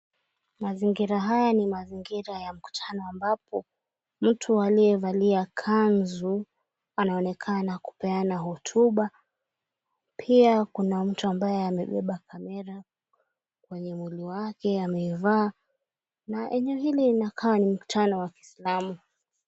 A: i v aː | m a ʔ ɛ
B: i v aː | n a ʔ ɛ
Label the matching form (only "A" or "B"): B